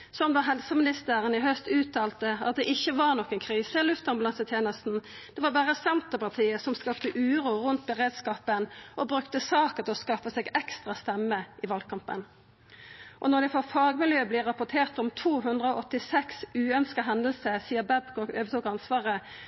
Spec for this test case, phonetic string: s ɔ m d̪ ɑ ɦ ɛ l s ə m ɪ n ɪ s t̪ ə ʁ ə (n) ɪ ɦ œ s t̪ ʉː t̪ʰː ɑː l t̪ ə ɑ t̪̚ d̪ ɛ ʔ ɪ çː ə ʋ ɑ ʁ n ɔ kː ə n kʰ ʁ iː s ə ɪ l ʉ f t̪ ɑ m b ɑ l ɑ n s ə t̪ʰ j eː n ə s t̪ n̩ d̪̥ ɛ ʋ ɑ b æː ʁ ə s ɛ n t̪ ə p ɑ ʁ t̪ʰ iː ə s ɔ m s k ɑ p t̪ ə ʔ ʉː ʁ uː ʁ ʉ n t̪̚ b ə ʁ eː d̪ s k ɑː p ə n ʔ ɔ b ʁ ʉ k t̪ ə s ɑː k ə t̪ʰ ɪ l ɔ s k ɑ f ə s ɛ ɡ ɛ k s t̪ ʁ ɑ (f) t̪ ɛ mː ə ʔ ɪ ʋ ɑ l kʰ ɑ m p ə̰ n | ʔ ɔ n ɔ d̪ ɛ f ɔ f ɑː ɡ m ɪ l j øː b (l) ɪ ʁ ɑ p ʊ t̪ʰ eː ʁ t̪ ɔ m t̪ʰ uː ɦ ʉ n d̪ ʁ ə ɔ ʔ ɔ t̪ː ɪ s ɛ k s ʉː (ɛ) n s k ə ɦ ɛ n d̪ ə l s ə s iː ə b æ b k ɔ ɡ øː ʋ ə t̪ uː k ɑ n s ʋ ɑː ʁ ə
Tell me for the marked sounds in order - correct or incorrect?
correct, incorrect: s, correct, incorrect: œ

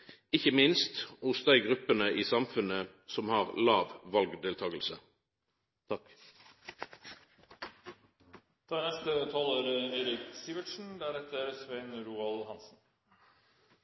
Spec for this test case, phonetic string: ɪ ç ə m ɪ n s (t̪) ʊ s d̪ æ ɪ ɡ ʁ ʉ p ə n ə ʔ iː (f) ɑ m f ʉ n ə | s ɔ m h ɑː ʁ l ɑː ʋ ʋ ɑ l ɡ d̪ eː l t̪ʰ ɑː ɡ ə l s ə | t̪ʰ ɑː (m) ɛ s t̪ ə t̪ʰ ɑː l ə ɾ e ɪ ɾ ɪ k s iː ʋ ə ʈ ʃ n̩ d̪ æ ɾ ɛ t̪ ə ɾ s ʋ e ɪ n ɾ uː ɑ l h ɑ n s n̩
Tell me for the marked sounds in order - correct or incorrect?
correct, incorrect: s, incorrect: n

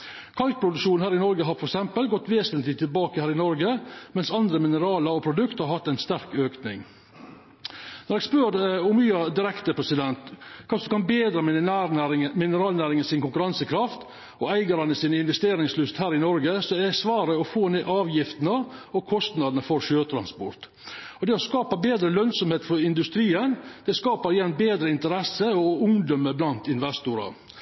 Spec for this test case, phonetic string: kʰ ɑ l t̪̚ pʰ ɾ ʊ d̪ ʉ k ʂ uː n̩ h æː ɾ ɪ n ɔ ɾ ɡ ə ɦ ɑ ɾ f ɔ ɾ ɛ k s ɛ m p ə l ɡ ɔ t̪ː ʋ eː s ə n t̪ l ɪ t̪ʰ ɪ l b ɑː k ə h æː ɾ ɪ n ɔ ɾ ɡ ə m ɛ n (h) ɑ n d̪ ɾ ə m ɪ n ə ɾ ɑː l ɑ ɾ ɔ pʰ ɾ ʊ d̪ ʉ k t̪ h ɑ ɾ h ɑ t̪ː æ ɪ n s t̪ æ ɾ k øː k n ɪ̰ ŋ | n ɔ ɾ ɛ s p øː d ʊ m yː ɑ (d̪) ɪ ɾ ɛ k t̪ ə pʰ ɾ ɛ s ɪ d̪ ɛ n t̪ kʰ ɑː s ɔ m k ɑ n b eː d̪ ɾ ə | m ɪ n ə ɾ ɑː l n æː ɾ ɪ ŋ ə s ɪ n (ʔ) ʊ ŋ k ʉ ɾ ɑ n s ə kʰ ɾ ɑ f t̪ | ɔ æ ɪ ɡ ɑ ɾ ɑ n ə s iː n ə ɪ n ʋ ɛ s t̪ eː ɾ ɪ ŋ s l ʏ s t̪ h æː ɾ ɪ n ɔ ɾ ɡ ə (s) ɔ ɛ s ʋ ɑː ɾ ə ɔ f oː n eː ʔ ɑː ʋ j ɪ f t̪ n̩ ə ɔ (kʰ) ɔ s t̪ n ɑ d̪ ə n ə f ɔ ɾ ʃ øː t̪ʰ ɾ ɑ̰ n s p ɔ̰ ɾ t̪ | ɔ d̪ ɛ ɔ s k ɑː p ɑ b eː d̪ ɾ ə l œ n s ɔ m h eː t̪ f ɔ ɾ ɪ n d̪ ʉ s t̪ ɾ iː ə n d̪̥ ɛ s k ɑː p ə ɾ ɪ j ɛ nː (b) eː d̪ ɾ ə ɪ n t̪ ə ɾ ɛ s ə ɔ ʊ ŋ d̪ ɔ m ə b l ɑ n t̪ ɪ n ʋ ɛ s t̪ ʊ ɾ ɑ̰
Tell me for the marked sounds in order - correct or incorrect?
incorrect: s, correct, incorrect: k, correct, correct, correct

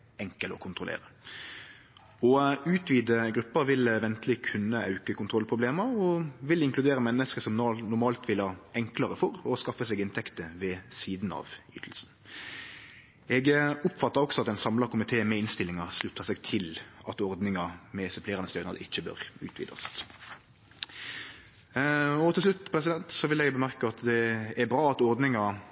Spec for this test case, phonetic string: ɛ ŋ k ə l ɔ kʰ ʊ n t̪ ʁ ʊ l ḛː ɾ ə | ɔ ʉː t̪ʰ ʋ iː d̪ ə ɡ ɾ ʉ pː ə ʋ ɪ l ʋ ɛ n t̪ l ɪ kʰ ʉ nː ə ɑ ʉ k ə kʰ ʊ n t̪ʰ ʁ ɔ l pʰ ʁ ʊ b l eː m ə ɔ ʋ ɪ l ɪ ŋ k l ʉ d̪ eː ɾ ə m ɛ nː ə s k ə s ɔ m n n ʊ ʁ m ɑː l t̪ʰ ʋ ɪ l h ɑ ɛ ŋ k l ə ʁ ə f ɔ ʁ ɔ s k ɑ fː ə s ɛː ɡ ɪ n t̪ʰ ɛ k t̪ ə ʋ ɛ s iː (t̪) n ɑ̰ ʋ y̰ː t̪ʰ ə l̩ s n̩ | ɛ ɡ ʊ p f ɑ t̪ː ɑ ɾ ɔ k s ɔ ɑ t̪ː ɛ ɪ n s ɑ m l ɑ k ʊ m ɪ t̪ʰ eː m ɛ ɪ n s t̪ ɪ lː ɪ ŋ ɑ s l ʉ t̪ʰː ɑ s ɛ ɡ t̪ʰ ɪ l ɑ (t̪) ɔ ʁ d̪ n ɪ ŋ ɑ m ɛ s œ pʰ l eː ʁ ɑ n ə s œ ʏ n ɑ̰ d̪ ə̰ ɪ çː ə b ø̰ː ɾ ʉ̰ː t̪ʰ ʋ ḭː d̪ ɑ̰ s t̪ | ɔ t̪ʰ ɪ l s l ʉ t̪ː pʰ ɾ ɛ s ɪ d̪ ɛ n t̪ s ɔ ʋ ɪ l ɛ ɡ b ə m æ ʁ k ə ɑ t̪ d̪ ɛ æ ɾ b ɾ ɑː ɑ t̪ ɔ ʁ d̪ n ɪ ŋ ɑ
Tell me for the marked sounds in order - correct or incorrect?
incorrect: d̪, correct

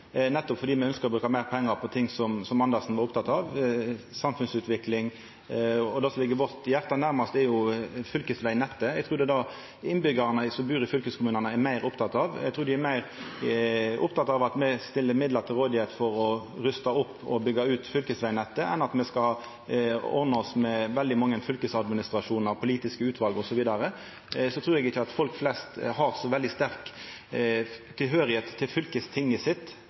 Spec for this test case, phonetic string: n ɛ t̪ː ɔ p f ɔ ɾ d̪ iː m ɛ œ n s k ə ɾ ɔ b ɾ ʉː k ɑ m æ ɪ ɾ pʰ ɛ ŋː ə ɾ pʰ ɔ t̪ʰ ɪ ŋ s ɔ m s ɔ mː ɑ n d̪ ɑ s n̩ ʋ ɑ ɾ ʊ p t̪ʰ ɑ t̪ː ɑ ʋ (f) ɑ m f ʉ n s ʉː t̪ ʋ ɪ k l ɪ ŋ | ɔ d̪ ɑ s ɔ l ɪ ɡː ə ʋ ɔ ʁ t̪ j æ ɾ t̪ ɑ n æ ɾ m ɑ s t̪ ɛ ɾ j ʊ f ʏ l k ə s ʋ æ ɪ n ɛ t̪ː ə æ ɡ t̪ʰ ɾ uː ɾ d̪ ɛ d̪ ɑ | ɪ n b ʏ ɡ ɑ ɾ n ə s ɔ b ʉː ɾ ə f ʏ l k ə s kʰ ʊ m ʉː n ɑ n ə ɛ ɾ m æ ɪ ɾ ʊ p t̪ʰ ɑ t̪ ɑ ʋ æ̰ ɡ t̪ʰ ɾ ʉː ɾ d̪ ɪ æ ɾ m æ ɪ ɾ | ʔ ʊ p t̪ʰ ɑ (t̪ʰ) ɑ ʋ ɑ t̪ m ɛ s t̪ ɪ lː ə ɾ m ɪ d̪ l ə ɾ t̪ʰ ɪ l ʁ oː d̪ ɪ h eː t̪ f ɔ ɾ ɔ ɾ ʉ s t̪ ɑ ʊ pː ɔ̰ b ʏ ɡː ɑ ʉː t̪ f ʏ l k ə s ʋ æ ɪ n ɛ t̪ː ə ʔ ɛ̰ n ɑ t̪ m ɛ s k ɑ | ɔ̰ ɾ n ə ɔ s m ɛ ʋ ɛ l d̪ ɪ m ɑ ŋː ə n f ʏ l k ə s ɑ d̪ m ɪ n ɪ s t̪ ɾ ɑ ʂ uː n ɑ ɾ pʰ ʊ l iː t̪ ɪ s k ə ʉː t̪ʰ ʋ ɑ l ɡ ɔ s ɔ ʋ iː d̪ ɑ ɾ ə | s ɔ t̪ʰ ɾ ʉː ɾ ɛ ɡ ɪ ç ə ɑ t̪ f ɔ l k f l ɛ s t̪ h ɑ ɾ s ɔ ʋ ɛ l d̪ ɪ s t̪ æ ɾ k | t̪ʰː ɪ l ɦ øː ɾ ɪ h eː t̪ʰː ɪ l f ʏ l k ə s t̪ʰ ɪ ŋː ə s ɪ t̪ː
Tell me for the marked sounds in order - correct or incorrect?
incorrect: s, incorrect: t̪

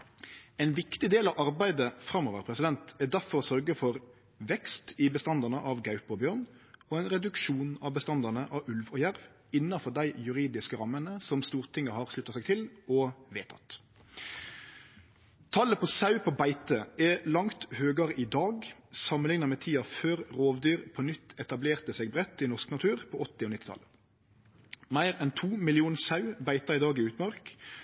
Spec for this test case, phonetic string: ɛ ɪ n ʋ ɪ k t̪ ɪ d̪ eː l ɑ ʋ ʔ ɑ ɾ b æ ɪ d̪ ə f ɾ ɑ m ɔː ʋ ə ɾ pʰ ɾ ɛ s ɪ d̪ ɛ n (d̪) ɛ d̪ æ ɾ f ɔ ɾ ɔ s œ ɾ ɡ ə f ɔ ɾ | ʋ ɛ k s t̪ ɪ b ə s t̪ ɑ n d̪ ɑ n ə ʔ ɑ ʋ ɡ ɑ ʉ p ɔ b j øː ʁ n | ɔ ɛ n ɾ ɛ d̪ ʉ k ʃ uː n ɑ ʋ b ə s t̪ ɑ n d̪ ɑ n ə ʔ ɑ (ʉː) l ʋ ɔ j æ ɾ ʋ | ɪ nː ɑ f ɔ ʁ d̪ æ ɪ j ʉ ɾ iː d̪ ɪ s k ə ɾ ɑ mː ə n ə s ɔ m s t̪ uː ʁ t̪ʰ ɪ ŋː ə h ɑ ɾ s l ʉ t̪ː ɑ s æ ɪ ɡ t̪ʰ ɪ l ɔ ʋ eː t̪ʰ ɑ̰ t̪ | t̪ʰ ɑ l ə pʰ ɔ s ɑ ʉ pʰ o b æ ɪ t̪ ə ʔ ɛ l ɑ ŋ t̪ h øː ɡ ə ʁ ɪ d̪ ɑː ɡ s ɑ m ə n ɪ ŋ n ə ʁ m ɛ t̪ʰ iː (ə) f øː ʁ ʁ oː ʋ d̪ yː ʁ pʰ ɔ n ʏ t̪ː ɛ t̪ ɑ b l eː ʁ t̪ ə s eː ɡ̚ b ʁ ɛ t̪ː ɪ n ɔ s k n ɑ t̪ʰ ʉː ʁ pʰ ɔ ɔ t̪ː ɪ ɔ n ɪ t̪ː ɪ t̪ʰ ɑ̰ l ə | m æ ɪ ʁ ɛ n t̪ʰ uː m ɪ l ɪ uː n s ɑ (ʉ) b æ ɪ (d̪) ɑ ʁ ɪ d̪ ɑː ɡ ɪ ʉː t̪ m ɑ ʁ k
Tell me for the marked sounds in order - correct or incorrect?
incorrect: t̪, incorrect: ʉ, incorrect: ɑ, correct, incorrect: t̪

